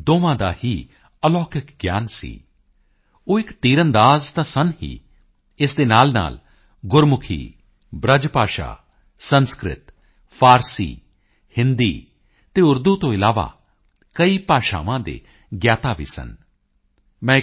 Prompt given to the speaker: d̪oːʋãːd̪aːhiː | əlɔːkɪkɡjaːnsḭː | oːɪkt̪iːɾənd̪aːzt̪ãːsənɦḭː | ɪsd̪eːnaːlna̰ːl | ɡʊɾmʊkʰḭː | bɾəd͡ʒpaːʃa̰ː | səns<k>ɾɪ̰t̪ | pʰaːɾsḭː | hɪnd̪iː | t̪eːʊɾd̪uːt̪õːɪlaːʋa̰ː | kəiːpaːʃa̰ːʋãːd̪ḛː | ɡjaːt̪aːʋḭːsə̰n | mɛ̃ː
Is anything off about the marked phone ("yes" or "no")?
no